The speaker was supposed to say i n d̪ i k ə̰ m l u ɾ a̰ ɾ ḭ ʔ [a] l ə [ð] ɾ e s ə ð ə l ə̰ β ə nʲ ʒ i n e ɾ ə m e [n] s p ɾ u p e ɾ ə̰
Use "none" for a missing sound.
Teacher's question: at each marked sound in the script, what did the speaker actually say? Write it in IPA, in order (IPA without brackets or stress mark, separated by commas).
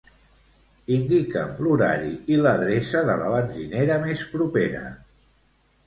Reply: i, ð, none